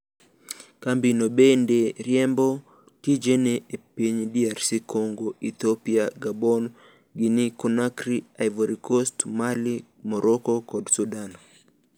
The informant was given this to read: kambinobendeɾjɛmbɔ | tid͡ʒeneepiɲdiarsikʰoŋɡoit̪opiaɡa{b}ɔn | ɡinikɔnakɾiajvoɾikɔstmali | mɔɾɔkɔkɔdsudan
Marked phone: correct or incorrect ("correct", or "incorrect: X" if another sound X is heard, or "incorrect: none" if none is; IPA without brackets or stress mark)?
correct